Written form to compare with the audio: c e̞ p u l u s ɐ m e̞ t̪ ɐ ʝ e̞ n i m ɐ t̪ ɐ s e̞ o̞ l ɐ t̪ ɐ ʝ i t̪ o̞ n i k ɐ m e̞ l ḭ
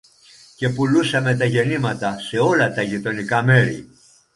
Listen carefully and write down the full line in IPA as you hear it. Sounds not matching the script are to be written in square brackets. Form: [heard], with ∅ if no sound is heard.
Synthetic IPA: c e̞ p u l u s ɐ m e̞ t̪ ɐ ʝ e̞ n i m ɐ t̪ ɐ s e̞ o̞ l ɐ t̪ ɐ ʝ i t̪ o̞ n i k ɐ m e̞ [ɾ] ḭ